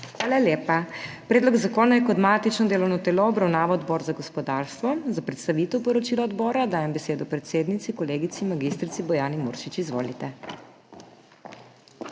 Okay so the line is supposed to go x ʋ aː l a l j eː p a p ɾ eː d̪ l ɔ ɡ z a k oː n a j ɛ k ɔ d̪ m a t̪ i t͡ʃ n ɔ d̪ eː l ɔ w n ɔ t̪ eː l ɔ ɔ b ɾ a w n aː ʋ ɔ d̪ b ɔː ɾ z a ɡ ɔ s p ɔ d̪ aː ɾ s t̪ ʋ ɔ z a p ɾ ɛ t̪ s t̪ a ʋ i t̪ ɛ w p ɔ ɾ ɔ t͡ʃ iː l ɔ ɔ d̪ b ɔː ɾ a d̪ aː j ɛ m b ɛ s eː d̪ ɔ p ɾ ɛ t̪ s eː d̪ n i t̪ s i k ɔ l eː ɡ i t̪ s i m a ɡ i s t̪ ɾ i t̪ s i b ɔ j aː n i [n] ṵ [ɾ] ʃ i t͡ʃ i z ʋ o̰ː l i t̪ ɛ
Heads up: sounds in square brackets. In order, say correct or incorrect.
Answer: incorrect: m, correct

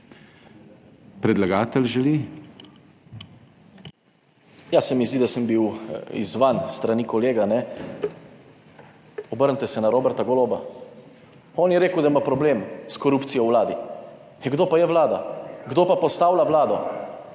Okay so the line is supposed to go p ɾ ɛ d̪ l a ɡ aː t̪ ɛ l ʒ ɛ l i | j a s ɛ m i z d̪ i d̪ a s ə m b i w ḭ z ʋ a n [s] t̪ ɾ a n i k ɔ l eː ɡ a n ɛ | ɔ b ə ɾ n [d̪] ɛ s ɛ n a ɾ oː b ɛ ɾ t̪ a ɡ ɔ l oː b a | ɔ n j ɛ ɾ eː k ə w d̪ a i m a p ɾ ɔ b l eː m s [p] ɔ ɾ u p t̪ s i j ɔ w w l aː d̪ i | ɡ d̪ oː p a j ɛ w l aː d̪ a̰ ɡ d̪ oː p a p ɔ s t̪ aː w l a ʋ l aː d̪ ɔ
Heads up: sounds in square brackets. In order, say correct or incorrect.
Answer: correct, incorrect: t̪, incorrect: k

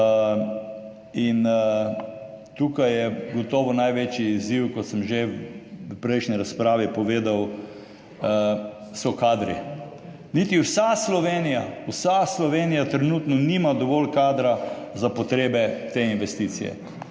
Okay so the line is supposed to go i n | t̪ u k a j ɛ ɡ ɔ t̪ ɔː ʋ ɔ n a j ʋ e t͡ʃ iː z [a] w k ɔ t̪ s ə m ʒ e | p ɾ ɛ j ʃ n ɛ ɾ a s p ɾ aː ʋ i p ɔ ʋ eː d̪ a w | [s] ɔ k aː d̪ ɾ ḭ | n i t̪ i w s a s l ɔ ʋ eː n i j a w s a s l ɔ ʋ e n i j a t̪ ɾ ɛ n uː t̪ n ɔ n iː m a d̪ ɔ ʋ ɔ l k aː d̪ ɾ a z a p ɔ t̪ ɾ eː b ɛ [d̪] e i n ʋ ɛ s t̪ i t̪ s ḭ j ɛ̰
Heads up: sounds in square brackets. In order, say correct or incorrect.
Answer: incorrect: i, correct, incorrect: t̪

